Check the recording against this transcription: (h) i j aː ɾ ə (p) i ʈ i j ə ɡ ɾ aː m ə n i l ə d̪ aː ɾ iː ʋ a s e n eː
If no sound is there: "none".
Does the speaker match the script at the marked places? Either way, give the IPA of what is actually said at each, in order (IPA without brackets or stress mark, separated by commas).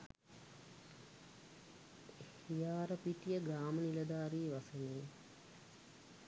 h, p